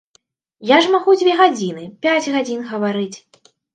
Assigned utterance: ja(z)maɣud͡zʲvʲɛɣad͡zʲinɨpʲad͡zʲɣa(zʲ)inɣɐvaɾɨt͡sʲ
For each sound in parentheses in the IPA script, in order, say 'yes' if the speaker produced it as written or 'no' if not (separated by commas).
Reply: no, no